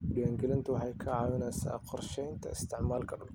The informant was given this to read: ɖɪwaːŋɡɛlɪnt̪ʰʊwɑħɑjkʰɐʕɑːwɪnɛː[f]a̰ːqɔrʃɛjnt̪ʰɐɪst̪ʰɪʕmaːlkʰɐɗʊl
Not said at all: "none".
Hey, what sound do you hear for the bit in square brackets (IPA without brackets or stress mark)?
s